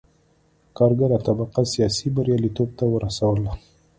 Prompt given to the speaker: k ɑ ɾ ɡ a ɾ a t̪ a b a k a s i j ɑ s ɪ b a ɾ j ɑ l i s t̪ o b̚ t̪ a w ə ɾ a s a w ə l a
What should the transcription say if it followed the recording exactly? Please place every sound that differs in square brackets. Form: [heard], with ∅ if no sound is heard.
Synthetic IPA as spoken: k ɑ ɾ ɡ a ɾ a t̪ a b a [q] a s i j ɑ s [i] b a ɾ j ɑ l i [∅] t̪ o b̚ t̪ a w ə ɾ a s a w ə l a